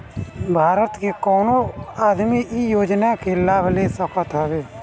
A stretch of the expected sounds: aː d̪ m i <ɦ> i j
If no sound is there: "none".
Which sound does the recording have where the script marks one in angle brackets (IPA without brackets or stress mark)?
none